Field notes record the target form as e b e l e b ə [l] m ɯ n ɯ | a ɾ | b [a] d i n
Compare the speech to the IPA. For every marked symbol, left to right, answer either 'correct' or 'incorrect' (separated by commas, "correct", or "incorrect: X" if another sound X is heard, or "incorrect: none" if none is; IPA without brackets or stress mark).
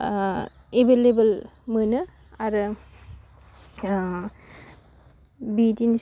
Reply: correct, incorrect: i